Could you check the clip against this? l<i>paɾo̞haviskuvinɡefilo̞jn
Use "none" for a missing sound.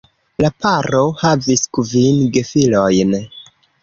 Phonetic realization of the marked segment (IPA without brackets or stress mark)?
a